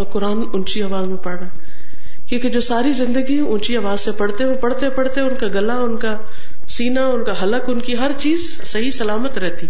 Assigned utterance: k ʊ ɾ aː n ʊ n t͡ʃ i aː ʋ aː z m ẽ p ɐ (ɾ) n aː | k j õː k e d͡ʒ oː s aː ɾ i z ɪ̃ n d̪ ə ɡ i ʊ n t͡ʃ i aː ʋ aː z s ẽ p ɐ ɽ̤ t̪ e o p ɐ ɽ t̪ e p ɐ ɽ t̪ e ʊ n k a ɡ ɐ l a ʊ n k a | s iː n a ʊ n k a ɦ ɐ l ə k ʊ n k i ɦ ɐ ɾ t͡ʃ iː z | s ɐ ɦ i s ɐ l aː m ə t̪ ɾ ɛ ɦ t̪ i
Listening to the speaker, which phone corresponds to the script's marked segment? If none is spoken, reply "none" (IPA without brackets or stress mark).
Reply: ɽ